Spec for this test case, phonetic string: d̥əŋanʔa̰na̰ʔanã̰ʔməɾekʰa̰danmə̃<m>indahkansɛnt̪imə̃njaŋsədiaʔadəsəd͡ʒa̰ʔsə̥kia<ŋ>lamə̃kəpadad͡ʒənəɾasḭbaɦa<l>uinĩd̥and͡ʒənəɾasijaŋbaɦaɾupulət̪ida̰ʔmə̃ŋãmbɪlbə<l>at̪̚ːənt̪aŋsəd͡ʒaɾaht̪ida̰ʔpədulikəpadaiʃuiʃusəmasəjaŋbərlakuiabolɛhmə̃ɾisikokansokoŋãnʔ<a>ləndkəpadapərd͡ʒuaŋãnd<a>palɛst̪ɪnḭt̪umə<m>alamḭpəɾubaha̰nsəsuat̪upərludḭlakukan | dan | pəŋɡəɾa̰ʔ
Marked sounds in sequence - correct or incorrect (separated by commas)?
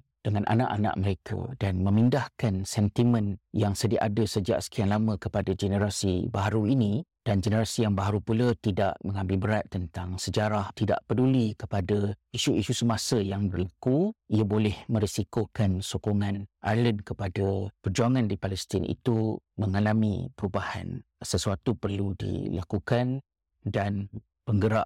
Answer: correct, incorrect, incorrect, incorrect, correct, incorrect, incorrect